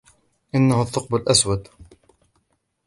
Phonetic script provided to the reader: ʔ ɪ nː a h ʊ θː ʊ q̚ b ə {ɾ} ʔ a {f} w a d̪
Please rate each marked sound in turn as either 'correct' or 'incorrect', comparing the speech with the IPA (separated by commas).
incorrect, incorrect